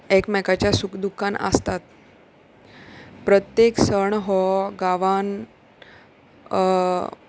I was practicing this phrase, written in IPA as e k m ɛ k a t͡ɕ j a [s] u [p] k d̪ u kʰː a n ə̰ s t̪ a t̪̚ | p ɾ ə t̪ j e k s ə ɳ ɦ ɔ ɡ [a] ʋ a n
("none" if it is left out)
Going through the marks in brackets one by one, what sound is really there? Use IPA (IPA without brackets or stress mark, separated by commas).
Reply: s, none, a